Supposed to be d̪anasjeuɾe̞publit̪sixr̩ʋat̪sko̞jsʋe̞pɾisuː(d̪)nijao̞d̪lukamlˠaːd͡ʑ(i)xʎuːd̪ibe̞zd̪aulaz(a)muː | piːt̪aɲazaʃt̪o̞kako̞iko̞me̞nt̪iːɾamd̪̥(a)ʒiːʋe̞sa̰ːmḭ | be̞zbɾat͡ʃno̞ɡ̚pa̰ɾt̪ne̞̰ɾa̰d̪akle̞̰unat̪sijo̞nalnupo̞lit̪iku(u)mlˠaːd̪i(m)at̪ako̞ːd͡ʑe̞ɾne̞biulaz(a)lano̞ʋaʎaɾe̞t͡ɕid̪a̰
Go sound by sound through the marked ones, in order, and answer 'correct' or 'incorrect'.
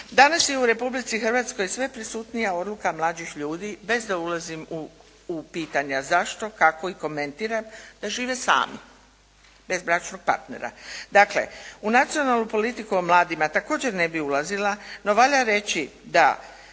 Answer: incorrect: t̪, correct, incorrect: i, correct, incorrect: o, correct, incorrect: i

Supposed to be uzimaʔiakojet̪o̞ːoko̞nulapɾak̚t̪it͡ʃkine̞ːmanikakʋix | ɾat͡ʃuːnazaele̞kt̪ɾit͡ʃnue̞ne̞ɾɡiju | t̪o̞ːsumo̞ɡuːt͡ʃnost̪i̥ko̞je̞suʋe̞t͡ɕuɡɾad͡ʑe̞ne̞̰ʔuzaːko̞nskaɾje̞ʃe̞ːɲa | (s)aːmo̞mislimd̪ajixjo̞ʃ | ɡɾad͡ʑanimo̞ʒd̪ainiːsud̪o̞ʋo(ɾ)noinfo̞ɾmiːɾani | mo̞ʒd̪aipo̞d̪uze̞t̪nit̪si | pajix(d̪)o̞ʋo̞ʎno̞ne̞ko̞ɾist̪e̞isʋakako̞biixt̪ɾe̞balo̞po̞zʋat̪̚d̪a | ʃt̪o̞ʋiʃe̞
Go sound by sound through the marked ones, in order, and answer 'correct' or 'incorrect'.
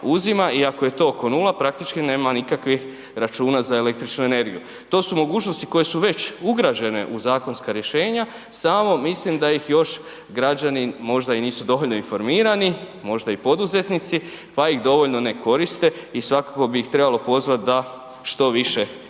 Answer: correct, incorrect: ʎ, correct

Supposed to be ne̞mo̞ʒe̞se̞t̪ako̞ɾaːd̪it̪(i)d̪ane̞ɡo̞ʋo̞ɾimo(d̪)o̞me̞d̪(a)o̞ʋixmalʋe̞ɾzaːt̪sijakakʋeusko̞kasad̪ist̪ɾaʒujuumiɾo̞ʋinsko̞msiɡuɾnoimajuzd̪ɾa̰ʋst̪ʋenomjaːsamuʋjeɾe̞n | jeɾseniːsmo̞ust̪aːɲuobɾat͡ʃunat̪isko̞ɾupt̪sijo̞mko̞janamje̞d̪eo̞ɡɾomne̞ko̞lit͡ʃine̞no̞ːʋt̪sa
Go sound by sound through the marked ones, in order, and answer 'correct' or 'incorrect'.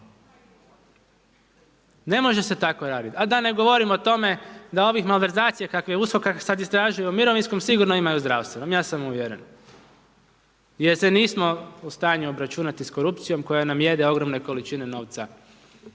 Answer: incorrect: a, incorrect: t̪, correct

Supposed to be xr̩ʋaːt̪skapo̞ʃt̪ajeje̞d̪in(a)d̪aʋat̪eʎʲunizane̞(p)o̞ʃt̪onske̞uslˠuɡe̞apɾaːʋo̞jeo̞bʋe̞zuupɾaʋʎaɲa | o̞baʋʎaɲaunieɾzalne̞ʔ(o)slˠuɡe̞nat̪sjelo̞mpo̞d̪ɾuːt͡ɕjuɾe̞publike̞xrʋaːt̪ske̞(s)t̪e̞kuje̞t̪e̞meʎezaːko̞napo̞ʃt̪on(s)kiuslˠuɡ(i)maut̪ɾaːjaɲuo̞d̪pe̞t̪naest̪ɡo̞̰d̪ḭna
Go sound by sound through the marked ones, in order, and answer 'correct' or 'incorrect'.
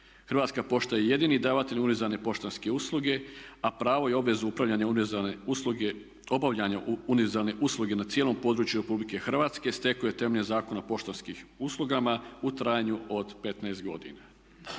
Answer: incorrect: i, correct, incorrect: u, correct, correct, incorrect: a

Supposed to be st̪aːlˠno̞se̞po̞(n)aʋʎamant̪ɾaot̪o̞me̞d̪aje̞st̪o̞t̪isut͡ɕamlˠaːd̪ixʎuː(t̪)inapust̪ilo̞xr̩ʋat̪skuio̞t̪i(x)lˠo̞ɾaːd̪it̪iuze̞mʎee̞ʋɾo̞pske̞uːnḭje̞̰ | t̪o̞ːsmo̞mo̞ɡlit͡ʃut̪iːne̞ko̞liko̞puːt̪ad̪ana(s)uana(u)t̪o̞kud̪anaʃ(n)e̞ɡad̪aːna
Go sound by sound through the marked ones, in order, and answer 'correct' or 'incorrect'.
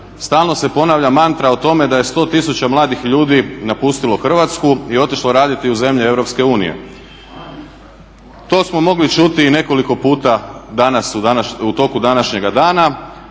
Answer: correct, incorrect: d̪, incorrect: ʃ, correct, correct, incorrect: ɲ

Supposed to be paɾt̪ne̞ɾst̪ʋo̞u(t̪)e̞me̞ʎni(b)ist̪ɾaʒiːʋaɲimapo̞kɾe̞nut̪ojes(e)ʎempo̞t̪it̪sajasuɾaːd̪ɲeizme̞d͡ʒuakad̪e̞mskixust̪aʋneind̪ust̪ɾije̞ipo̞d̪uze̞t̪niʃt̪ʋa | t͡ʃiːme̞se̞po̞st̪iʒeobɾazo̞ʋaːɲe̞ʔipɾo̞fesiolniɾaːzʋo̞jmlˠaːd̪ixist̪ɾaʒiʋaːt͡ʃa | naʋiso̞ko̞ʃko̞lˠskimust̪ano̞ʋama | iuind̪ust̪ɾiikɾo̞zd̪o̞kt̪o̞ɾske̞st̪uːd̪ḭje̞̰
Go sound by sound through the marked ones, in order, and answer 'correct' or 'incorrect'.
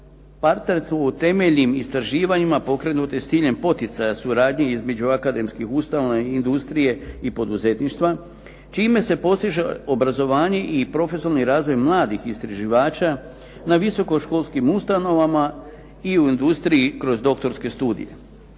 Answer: correct, incorrect: m, incorrect: i

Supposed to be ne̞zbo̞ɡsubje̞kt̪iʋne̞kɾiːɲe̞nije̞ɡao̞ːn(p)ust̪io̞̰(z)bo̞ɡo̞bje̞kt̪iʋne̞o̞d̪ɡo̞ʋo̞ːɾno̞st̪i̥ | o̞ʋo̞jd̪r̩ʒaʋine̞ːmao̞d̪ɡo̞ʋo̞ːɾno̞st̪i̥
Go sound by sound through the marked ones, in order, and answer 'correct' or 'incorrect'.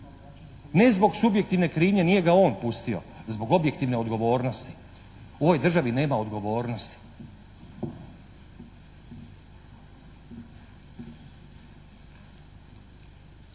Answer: correct, correct

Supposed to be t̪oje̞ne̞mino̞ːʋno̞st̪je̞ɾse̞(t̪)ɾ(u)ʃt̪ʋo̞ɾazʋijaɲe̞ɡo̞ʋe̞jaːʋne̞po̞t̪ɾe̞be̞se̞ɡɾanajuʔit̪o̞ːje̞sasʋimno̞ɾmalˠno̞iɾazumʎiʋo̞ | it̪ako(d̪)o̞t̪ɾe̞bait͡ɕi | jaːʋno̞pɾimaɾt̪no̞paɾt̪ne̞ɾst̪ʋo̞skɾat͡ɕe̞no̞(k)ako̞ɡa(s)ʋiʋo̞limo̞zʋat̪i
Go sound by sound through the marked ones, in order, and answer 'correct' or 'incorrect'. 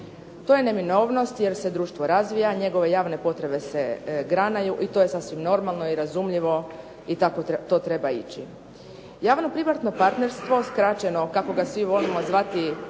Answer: incorrect: d̪, incorrect: uː, incorrect: t̪, correct, correct

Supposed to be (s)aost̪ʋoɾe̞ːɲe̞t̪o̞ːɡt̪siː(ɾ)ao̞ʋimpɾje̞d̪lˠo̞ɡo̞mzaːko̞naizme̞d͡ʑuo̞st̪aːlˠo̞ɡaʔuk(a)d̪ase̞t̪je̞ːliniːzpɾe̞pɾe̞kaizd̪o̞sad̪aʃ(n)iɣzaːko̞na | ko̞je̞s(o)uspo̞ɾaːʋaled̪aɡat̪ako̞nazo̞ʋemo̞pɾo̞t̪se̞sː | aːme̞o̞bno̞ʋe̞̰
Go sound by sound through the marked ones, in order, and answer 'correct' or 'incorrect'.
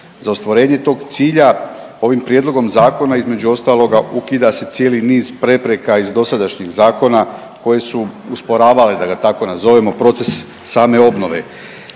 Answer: incorrect: z, incorrect: ʎ, incorrect: i, incorrect: ɲ, incorrect: u

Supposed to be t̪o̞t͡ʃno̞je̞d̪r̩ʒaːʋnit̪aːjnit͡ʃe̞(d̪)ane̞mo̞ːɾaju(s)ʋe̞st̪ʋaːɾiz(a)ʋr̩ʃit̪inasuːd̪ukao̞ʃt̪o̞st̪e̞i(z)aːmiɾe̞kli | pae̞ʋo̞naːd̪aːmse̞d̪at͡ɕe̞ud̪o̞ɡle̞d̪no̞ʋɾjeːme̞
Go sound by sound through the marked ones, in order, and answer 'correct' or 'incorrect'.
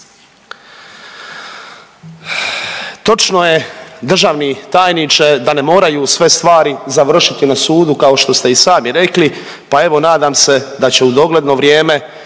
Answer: correct, correct, correct, incorrect: s

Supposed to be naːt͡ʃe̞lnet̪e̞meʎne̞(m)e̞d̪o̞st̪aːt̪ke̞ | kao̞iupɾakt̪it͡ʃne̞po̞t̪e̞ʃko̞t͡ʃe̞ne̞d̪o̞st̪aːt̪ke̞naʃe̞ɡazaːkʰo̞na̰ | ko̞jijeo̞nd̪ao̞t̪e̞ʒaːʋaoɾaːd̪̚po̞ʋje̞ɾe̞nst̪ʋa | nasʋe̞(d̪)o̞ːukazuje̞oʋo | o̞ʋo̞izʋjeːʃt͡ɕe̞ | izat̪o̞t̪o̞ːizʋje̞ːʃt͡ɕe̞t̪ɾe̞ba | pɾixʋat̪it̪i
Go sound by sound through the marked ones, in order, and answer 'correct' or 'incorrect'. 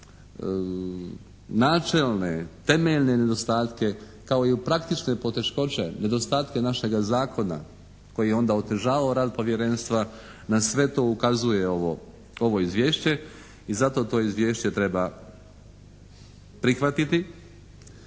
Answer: incorrect: n, incorrect: t̪

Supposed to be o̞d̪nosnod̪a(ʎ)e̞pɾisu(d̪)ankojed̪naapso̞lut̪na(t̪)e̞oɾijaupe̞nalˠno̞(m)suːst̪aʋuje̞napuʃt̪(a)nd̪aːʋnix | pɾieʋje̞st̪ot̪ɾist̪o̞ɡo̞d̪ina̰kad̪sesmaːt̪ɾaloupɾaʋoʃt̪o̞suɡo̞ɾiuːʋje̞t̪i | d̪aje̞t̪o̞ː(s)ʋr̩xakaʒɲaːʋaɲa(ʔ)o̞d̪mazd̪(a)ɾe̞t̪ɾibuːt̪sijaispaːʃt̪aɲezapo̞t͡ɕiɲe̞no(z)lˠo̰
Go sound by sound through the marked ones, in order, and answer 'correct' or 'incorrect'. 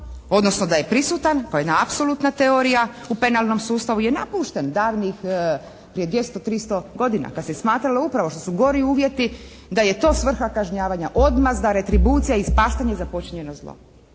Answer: incorrect: j, incorrect: t̪, correct, correct, incorrect: e, correct, correct, correct, correct

